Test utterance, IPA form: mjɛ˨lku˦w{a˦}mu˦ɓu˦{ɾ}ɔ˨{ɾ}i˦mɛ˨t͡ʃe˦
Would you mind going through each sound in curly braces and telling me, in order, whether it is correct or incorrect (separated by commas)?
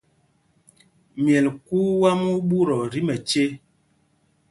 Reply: correct, correct, correct